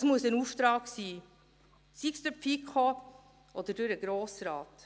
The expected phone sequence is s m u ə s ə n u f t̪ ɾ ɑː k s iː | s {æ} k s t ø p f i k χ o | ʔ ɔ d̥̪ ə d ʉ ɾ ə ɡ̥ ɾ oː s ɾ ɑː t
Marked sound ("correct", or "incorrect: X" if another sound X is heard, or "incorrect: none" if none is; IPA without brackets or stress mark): incorrect: i